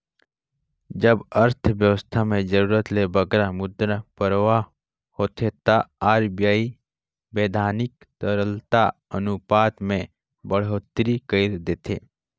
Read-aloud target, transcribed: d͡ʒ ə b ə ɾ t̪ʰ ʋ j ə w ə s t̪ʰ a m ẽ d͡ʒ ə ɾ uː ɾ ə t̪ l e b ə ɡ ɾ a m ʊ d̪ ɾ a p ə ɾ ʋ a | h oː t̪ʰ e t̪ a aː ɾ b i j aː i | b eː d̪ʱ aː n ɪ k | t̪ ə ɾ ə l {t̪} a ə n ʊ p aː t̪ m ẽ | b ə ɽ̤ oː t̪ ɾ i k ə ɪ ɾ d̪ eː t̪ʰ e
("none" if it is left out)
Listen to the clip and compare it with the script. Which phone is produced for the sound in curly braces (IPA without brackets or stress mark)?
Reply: t̪